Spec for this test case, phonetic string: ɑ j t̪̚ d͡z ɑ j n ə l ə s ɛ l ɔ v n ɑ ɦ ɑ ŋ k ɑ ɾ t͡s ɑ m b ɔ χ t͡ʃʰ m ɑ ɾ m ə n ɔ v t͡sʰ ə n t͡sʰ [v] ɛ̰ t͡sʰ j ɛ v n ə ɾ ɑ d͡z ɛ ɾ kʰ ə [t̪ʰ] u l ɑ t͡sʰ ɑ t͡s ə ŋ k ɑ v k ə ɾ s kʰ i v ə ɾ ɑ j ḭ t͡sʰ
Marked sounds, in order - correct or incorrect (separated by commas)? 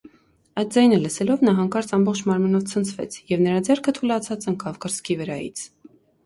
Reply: correct, correct